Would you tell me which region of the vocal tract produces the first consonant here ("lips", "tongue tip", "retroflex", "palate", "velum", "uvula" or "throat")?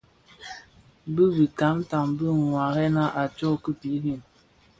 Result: lips